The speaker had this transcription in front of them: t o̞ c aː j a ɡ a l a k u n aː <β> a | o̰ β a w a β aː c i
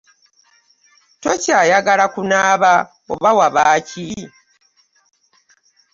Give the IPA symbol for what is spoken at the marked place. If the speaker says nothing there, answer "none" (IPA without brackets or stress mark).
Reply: β